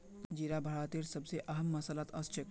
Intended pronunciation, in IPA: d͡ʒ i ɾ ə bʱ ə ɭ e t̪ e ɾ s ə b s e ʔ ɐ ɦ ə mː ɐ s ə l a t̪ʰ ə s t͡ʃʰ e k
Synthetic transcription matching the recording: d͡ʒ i ɾ a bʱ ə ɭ a t̪ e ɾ s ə b s e ʔ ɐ ɦ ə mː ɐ s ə l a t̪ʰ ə s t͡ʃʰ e k